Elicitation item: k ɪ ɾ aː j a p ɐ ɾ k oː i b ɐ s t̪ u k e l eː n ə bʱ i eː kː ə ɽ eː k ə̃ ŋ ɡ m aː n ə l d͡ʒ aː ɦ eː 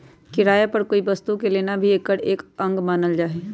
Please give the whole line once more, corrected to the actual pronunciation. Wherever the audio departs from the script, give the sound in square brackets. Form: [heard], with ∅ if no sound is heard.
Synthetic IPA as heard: k ɪ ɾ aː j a p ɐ ɾ k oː i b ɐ s t̪ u k e l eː n [a] bʱ i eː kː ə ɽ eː k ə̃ ŋ ɡ m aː n ə l d͡ʒ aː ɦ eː